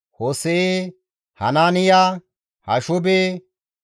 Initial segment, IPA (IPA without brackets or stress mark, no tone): h